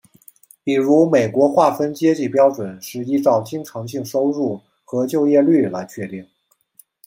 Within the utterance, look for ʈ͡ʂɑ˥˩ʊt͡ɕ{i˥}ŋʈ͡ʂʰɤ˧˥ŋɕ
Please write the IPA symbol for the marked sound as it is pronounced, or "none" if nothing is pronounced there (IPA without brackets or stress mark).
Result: i˥